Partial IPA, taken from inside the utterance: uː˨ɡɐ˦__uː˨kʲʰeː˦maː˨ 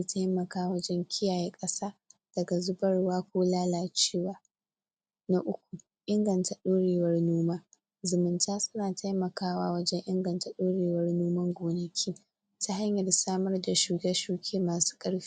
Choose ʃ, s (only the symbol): ʃ